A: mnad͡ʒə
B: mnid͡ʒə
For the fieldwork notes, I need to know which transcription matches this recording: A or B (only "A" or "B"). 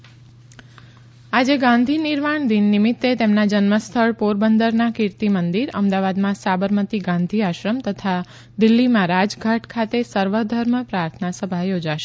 A